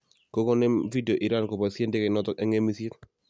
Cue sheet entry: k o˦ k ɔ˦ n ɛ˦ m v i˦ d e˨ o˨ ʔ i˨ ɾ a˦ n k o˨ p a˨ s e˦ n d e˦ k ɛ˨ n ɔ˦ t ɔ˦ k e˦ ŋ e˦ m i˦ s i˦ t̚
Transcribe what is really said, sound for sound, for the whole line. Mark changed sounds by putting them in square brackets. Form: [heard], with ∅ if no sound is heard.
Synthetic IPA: k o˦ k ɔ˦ n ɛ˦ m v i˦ d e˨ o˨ ʔ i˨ ɾ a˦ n k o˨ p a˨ s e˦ n d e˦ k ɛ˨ n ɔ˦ t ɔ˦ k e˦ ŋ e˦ m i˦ s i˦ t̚